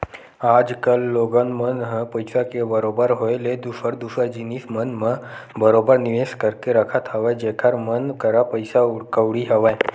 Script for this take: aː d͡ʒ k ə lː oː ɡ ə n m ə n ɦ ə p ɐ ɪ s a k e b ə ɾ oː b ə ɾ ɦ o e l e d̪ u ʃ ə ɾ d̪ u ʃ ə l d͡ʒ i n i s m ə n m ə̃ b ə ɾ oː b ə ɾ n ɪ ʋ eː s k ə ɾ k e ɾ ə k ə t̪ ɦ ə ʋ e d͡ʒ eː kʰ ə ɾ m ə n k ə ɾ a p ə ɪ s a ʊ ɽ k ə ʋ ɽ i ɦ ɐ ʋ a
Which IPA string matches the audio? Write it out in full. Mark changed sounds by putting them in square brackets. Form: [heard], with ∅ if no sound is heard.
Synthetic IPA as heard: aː d͡ʒ k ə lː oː ɡ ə n m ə n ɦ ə p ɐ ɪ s a k e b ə ɾ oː b ə ɾ ɦ o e l e d̪ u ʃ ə ɾ d̪ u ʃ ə [ɾ] d͡ʒ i n i s m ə n m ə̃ b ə ɾ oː b ə ɾ n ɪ ʋ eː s k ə ɾ k e ɾ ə [kʰ] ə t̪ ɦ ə ʋ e d͡ʒ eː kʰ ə ɾ m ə n k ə ɾ a p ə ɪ s a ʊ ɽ k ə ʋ ɽ i ɦ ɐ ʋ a